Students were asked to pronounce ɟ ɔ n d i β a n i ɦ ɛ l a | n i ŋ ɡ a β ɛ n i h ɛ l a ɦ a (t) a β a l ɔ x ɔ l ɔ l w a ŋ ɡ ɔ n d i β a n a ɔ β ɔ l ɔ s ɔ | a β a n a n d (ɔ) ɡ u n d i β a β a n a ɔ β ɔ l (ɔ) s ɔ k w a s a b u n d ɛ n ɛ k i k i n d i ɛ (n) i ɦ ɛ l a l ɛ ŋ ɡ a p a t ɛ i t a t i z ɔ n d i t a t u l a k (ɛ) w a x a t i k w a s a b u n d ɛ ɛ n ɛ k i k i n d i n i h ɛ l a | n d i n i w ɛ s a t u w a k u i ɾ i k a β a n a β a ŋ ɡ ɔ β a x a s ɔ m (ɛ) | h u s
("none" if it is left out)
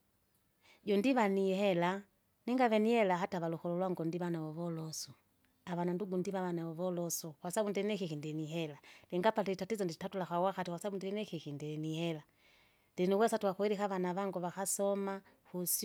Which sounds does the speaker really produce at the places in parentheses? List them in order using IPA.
t, u, ɔ, n, a, a

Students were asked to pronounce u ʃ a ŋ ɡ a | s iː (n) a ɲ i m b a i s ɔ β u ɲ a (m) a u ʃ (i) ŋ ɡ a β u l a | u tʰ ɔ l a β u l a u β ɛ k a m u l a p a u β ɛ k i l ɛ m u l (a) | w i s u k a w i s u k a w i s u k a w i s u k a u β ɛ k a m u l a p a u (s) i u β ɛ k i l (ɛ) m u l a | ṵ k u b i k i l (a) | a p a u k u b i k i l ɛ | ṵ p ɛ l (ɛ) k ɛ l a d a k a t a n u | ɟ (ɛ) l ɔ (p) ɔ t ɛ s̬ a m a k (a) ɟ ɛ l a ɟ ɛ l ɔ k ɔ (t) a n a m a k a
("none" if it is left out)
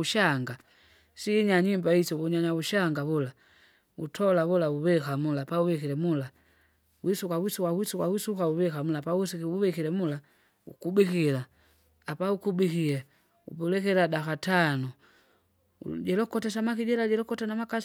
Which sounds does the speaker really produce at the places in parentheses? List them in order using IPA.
ɲ, ɲ, a, a, s, ɛ, a, ɛ, ɛ, k, i, t

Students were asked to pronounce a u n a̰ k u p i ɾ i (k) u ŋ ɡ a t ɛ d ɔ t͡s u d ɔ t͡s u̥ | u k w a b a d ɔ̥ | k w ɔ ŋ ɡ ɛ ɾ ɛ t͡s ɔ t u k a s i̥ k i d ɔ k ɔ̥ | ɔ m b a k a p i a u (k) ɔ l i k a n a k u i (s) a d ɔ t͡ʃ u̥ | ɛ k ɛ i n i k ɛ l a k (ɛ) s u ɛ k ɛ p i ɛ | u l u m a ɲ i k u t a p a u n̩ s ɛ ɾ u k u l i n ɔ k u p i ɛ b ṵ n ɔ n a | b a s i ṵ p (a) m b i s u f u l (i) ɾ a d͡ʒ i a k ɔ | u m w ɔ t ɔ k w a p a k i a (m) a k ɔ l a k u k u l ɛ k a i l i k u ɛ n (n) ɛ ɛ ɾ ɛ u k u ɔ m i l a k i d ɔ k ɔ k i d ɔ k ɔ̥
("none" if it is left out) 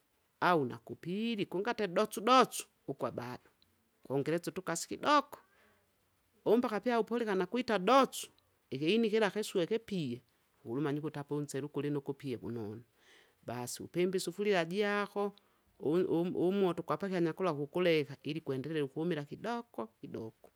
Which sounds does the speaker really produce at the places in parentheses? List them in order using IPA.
k, p, t, ɛ, ɛ, i, ɲ, d

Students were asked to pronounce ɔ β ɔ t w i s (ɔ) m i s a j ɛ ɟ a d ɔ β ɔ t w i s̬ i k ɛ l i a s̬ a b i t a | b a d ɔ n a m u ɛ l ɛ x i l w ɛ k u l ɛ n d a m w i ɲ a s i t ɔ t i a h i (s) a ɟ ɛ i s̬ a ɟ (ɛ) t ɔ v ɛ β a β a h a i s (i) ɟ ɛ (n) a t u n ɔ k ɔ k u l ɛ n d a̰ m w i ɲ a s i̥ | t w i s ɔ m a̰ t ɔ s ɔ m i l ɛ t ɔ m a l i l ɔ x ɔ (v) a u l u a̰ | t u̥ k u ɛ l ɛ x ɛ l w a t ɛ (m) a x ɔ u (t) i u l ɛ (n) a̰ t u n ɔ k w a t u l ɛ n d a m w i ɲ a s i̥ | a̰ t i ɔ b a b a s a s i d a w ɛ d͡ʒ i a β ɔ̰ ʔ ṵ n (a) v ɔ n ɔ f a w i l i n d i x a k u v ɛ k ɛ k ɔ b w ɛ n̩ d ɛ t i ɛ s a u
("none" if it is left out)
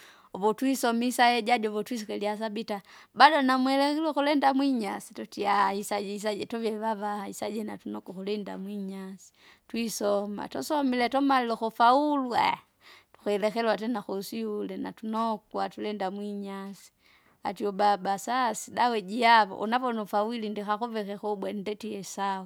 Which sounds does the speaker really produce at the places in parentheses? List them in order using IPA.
ɔ, s, ɛ, a, n, f, n, s, n, a

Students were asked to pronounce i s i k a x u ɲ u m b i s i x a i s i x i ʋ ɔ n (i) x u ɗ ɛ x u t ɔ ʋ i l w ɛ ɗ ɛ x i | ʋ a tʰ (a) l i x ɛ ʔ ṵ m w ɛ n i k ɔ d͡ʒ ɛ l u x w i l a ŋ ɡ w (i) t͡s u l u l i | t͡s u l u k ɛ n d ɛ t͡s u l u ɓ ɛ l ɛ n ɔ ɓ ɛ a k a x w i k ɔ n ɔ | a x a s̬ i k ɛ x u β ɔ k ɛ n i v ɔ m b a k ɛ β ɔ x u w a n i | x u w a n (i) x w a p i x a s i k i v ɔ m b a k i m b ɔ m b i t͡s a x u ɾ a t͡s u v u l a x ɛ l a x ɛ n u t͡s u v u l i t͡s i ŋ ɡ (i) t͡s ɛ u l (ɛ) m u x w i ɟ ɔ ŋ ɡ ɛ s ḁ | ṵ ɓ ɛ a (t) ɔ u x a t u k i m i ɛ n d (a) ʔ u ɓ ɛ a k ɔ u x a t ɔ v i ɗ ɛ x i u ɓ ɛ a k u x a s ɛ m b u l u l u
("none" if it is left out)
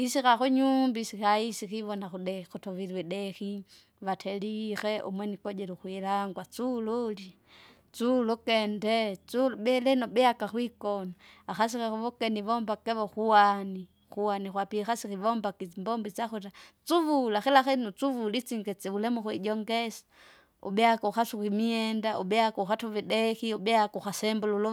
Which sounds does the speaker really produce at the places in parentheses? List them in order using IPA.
a, ɛ, a, i, ɛ, ɛ, k, a

